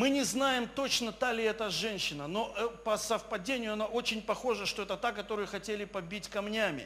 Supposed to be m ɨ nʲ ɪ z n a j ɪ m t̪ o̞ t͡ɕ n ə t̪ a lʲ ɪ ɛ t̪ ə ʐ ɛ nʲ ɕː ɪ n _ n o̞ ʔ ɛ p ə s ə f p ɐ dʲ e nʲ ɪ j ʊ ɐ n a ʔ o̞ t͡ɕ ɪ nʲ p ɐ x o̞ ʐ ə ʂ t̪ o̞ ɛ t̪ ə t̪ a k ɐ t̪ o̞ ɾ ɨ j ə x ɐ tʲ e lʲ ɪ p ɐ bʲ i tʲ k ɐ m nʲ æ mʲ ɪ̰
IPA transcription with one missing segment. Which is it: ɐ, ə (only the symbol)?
ə